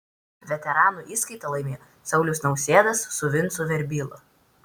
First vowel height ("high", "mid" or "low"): mid